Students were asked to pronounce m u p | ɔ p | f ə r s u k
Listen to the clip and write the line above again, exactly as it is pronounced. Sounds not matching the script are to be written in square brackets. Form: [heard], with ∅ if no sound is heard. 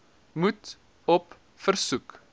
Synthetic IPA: m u [t] | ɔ p | f ə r s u k